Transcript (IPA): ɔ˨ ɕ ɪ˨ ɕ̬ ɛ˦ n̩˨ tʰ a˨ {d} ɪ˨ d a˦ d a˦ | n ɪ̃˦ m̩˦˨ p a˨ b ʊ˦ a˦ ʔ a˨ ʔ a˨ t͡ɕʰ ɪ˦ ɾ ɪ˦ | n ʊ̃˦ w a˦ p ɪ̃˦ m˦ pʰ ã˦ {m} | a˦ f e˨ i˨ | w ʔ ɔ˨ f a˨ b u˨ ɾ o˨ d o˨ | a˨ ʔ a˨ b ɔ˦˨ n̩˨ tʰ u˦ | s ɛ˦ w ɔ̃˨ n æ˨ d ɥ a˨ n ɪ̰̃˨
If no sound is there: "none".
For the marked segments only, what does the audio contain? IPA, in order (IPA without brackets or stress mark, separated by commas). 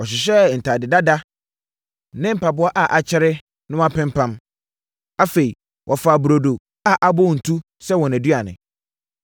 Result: d, m